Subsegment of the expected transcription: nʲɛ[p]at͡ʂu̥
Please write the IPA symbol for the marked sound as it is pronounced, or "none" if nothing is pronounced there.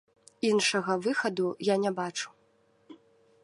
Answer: b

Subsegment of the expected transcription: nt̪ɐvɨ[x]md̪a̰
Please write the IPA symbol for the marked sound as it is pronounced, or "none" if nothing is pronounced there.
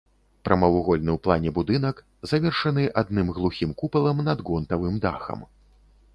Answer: none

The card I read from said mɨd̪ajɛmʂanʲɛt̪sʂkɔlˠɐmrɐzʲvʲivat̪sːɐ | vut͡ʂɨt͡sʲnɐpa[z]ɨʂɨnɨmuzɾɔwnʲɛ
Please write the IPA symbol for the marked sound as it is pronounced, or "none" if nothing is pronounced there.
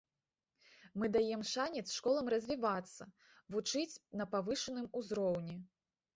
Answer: v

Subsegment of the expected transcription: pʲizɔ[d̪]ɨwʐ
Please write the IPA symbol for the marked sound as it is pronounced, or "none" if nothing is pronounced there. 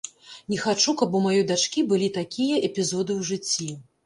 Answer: d̪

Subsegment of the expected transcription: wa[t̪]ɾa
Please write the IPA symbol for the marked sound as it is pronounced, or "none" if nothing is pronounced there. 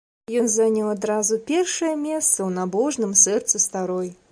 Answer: d̪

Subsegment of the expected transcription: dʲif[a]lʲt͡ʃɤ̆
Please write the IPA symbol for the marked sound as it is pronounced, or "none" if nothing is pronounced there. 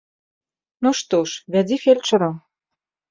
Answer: e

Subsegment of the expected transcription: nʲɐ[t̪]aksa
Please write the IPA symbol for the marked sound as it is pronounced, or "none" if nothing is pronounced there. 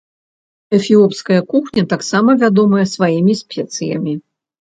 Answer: t̪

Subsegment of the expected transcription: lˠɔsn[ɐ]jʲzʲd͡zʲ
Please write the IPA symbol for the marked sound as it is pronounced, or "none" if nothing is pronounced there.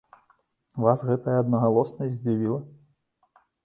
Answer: ɐ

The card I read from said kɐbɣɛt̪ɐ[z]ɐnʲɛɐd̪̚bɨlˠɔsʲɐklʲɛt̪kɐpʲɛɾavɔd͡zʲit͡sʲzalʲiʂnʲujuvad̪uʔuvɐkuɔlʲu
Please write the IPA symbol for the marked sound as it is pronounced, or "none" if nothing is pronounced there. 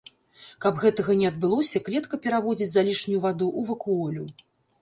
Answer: ɣ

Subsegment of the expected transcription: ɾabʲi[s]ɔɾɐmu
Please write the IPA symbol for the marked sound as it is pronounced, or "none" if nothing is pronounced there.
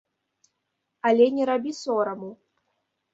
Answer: s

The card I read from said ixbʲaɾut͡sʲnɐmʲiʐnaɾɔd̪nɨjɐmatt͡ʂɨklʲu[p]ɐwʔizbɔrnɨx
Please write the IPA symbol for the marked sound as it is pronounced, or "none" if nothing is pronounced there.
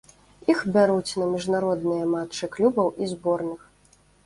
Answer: b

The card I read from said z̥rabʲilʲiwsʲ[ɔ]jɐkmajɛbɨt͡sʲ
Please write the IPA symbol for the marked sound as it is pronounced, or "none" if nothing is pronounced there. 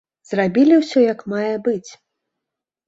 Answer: ɔ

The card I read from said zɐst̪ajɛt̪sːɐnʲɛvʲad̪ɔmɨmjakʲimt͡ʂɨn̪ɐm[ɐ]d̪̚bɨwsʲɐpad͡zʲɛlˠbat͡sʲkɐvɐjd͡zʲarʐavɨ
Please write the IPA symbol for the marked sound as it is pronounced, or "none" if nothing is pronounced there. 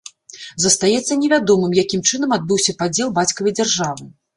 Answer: a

